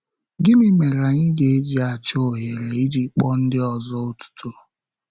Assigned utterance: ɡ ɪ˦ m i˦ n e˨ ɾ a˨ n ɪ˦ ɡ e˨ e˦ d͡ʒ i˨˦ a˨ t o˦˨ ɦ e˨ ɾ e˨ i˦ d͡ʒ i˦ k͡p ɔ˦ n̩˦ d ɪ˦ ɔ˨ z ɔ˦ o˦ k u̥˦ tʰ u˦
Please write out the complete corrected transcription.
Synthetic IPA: ɡ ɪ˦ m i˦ m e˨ ɾ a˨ ɲ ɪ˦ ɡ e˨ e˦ d͡ʒ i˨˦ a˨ t͡ʃ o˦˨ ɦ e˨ ɾ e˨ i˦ d͡ʒ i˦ k͡p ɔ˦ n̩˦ d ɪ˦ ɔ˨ z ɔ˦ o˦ t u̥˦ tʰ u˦